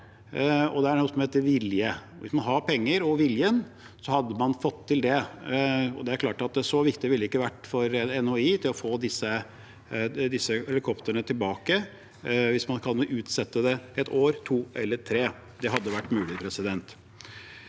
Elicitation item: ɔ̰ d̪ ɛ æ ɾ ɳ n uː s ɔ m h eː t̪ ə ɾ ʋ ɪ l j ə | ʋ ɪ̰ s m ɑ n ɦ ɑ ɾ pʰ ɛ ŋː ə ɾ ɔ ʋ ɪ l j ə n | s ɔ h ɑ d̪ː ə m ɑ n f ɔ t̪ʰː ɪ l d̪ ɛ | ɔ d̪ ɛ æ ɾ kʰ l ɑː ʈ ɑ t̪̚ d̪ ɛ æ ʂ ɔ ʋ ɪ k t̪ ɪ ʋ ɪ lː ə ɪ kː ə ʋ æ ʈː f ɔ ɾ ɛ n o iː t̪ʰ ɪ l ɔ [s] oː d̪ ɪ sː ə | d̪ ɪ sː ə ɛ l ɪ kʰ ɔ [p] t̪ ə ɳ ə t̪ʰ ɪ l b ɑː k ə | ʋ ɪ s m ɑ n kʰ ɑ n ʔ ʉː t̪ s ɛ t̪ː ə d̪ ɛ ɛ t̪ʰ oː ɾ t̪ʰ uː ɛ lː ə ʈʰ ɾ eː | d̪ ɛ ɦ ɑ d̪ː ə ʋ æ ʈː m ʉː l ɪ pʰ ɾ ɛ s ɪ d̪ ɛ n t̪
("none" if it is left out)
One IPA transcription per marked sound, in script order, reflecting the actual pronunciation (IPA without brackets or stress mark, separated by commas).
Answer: f, p